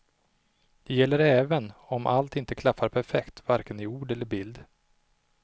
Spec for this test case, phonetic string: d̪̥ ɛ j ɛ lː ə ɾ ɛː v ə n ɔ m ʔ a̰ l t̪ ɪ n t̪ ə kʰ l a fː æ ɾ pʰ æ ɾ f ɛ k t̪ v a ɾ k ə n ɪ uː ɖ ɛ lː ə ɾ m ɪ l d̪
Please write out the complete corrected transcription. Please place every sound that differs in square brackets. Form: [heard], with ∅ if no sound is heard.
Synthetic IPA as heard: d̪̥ ɛ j ɛ lː ə ɾ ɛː v ə n ɔ m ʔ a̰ l t̪ ɪ n t̪ ə kʰ l a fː [a] ɾ pʰ æ ɾ f ɛ k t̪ v a ɾ k ə n ɪ uː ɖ ɛ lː ə ɾ [b] ɪ l d̪